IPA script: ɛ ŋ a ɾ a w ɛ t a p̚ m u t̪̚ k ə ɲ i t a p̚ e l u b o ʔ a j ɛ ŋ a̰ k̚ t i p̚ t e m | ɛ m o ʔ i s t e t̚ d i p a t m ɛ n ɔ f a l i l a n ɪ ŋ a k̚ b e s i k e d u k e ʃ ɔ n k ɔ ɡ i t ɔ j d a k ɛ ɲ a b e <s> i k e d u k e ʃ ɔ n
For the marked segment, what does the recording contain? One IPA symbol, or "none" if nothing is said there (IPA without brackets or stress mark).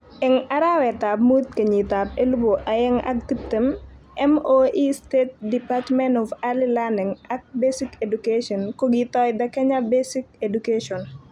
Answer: s